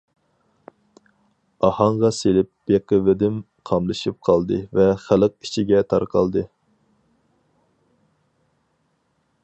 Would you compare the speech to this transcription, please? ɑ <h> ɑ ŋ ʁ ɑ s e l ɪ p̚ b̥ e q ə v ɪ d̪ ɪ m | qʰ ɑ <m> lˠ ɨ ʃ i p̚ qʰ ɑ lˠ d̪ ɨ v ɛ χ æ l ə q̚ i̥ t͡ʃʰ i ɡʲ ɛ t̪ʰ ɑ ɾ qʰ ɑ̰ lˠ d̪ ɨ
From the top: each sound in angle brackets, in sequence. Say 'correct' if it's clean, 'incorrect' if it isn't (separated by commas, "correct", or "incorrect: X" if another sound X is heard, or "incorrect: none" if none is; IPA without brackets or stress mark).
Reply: correct, correct